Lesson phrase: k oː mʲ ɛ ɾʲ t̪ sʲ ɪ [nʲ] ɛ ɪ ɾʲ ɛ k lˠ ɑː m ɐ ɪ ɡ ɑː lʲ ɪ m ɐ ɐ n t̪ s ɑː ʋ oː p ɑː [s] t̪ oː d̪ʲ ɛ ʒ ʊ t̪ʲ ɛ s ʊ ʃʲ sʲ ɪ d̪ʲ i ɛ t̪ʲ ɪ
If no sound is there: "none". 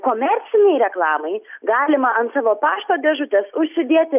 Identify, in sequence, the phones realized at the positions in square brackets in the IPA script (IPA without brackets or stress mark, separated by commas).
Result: nʲ, ʃ